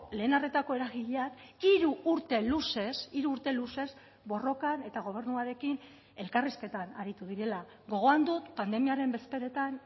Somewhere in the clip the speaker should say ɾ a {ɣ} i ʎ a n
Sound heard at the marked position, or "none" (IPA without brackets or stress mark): ɣ